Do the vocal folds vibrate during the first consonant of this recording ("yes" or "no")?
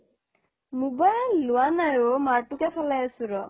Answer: yes